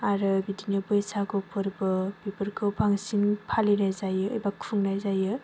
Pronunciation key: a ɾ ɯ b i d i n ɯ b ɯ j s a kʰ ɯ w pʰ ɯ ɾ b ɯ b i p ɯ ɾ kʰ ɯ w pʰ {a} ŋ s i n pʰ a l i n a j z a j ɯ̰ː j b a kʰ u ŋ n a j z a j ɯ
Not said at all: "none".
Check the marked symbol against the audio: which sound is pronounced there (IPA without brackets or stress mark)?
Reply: a